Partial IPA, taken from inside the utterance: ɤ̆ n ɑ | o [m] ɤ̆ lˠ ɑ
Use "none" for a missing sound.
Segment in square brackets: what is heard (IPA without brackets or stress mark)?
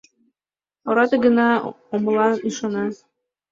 m